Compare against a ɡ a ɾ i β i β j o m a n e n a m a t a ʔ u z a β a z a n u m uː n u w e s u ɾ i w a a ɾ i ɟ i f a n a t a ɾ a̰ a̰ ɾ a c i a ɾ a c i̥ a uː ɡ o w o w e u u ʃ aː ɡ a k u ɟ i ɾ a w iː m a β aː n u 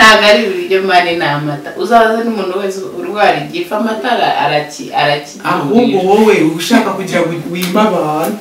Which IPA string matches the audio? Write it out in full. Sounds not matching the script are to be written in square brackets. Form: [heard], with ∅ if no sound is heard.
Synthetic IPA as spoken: a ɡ a ɾ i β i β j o m a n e n a m a t a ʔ u z a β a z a n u m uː n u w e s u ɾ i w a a ɾ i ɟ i f a [m] a t a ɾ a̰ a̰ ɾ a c i a ɾ a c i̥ a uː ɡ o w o w e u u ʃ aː [k] a k u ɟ i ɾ a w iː m a β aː n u